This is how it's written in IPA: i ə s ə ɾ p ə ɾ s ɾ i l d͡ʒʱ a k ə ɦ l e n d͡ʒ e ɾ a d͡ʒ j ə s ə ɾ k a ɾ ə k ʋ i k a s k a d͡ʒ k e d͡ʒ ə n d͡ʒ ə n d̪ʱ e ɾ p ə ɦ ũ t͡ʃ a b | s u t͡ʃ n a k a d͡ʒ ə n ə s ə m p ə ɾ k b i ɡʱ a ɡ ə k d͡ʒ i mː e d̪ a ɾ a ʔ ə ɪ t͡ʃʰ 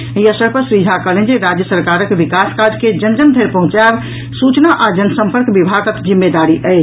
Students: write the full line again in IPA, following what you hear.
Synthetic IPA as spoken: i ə s ə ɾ p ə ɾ s ɾ i d͡ʒʱ a k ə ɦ l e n d͡ʒ e ɾ a d͡ʒ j ə s ə ɾ k a ɾ ə k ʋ i k a s k a d͡ʒ k e d͡ʒ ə n d͡ʒ ə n d̪ʱ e ɾ p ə ɦ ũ t͡ʃ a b | s u t͡ʃ n a ʔ a d͡ʒ ə n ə s ə m p ə ɾ k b i bʱ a ɡ ə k d͡ʒ i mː e d̪ a ɾ i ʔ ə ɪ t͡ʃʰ